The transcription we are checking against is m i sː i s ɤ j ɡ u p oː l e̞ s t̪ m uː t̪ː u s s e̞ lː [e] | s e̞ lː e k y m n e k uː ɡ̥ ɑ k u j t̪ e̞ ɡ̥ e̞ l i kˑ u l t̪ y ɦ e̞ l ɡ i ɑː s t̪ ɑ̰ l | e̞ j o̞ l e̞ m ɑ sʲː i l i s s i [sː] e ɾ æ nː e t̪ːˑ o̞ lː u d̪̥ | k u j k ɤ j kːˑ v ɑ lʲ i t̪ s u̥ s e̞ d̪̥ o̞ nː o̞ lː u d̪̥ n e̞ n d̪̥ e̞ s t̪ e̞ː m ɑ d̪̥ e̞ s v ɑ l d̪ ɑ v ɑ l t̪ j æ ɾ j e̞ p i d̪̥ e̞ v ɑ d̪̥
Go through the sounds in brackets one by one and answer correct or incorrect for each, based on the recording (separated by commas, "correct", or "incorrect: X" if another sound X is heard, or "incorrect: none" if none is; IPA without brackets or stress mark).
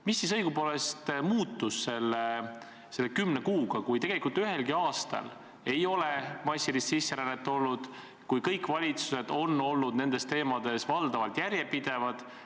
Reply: correct, correct